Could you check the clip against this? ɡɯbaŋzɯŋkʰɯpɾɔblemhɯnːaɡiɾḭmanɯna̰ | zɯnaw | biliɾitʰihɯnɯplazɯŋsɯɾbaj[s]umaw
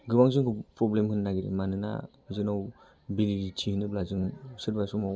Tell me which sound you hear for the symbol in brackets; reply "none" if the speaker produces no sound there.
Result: s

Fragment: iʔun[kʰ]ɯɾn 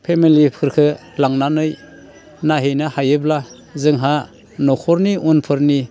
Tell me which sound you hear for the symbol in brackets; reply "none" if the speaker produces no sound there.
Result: pʰ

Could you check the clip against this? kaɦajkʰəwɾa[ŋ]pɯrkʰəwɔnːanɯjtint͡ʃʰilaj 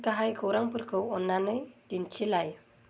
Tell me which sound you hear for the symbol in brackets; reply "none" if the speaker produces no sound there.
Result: ŋ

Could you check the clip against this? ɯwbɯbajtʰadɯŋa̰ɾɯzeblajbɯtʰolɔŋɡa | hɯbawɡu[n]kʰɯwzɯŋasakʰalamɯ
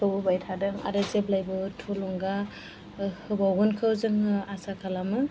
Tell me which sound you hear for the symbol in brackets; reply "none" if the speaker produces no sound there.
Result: n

